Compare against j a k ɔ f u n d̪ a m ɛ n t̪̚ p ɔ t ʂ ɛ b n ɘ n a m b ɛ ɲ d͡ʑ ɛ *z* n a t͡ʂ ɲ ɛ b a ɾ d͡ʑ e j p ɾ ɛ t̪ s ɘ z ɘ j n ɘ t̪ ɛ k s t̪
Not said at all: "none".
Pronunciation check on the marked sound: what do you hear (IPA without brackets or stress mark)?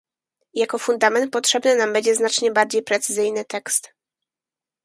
z